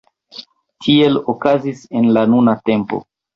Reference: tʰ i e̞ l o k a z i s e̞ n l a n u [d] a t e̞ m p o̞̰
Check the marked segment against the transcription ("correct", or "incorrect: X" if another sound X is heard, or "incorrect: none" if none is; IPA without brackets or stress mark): incorrect: n